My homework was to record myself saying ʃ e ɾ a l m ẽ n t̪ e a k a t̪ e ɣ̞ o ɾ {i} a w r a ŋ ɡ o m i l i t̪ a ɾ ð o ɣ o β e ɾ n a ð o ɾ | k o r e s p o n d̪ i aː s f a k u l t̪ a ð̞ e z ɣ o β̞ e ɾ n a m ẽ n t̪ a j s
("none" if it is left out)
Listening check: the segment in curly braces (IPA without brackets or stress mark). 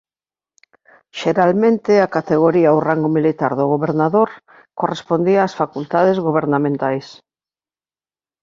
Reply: i